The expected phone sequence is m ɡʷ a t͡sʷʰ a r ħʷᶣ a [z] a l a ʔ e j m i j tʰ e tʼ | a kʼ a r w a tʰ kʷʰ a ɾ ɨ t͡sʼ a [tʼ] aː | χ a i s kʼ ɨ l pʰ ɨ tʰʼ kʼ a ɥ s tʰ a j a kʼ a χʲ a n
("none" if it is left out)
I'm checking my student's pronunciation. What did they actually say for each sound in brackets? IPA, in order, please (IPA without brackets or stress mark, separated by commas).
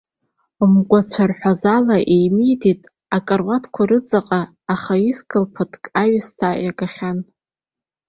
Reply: z, qʼ